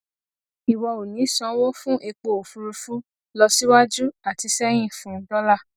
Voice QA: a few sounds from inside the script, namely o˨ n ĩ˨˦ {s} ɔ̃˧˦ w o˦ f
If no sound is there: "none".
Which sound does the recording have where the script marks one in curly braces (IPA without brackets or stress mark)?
s